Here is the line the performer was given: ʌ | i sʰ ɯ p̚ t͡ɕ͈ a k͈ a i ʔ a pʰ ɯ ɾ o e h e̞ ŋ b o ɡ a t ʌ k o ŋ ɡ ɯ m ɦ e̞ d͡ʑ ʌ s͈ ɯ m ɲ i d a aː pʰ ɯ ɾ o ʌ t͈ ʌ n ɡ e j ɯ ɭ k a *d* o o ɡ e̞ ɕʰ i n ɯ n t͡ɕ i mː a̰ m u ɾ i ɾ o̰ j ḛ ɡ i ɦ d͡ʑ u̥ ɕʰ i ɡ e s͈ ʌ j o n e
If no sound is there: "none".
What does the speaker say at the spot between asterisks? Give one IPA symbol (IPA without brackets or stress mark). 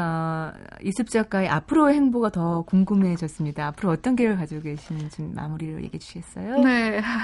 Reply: d͡ʑ